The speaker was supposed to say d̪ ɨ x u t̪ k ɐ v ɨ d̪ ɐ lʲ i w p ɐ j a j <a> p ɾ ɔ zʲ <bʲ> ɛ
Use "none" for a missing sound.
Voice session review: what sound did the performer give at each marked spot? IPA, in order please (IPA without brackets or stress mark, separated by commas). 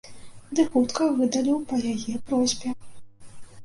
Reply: ɛ, bʲ